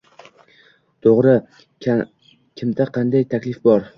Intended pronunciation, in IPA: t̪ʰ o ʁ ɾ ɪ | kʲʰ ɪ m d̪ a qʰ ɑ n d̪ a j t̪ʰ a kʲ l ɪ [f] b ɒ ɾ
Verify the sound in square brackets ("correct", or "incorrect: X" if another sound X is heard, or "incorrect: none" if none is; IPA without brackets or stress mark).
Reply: correct